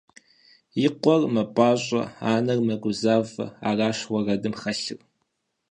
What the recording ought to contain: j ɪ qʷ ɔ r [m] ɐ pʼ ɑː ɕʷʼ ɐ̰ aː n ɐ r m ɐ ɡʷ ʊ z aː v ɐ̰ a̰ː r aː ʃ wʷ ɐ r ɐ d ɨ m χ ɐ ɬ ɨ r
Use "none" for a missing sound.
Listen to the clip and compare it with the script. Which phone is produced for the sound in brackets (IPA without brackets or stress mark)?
m